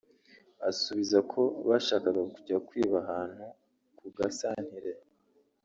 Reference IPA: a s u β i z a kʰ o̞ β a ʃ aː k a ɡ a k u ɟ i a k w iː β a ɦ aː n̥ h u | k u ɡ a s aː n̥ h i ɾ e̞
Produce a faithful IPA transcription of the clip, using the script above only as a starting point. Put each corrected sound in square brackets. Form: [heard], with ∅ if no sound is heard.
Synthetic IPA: a s u β i z a kʰ o̞ β a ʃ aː k a ɡ a k u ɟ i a k w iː β a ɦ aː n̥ h u | k u ɡ a s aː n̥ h i ɾ e̞